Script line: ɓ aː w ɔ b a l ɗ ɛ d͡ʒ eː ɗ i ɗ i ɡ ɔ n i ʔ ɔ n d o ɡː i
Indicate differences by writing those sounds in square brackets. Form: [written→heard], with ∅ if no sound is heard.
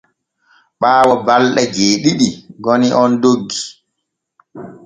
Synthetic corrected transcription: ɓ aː w ɔ b a l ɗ ɛ d͡ʒ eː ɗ i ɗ i ɡ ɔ n i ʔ ɔ n d o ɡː i

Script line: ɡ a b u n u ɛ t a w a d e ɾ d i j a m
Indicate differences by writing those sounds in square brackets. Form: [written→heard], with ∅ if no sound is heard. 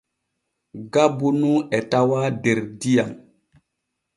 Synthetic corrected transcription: ɡ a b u n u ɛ t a w a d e ɾ d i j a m

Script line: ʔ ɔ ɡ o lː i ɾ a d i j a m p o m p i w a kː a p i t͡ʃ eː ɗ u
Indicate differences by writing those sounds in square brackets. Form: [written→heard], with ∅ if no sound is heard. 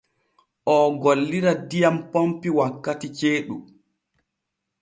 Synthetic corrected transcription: ʔ ɔ ɡ o lː i ɾ a d i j a m p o m p i w a kː a [p→t] i t͡ʃ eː ɗ u

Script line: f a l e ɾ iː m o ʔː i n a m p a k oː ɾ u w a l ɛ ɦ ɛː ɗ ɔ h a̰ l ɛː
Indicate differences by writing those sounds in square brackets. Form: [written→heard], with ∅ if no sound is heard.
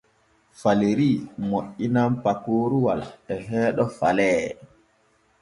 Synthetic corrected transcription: f a l e ɾ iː m o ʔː i n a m p a k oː ɾ u w a l ɛ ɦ ɛː ɗ ɔ [h→f] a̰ l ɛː

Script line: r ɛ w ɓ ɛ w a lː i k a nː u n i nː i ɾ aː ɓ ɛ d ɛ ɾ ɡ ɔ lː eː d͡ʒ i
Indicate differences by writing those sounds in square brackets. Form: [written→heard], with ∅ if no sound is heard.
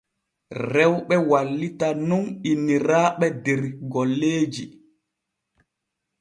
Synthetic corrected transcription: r ɛ w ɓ ɛ w a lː i [k→t] a [nː→n] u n i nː i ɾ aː ɓ ɛ d ɛ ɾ ɡ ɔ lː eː d͡ʒ i

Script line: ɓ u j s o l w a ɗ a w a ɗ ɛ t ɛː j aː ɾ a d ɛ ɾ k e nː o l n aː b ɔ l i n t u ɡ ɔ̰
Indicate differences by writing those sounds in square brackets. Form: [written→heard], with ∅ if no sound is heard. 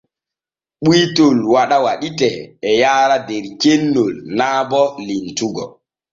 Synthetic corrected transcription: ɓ u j [s→t] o l w a ɗ a w a ɗ [ɛ→i] t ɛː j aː ɾ a d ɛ ɾ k e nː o l n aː b ɔ l i n t u ɡ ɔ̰

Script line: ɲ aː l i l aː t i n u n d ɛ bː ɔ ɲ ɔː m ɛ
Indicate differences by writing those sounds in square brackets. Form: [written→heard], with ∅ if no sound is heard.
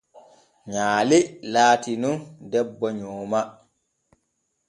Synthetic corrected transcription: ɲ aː l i l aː t i n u n d ɛ bː ɔ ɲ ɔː m [ɛ→a]

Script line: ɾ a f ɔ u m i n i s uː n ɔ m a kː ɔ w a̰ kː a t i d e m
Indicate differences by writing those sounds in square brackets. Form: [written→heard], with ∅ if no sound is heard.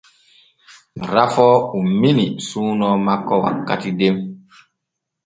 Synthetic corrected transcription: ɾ a f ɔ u m i n i s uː n ɔ m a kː ɔ w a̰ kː a t i d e m

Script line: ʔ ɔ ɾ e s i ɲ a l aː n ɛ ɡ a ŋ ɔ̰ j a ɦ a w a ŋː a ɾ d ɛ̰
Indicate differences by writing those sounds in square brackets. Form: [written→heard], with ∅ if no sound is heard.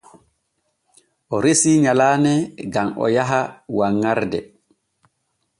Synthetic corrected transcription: ʔ ɔ ɾ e s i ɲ a l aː n ɛ ɡ a [ŋ→m] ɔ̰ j a ɦ a w a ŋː a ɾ d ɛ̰

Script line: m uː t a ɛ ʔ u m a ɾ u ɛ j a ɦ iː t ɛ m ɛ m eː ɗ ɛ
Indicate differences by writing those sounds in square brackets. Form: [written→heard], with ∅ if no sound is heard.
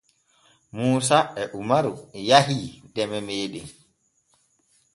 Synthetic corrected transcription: m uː [t→s] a ɛ ʔ u m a ɾ u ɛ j a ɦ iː [t→d] ɛ m ɛ m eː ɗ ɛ

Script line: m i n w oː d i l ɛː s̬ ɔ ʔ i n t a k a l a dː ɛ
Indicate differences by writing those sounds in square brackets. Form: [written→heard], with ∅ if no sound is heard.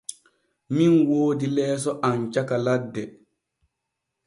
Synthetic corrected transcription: m i n w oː d i l ɛː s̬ ɔ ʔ [i→a] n [t→t͡ʃ] a k a l a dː ɛ

